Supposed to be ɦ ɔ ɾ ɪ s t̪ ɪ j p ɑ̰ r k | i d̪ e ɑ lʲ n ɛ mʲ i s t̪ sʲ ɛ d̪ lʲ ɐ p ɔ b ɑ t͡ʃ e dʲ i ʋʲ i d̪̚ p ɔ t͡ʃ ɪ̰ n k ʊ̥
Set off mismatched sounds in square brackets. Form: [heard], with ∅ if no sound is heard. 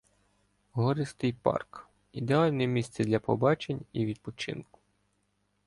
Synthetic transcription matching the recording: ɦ ɔ ɾ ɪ s t̪ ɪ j p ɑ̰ r k | i d̪ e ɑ lʲ n ɛ mʲ i s t̪ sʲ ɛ d̪ lʲ ɐ p ɔ b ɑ t͡ʃ e [nʲ] i ʋʲ i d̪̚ p ɔ t͡ʃ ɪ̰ n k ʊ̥